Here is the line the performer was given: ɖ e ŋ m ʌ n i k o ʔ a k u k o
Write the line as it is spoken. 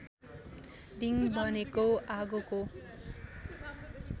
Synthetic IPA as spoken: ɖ i ŋ b ʌ n e k o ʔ a ɡ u k o